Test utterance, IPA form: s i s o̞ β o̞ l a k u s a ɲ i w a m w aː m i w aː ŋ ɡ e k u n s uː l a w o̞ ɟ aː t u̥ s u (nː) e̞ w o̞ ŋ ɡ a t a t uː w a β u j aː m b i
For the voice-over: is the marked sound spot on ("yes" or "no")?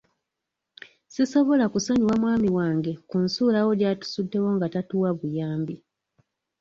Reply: no